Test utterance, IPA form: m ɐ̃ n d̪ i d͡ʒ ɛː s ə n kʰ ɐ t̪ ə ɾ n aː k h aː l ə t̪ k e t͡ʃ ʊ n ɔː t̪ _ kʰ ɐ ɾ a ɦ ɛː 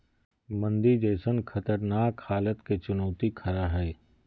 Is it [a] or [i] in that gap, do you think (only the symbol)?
i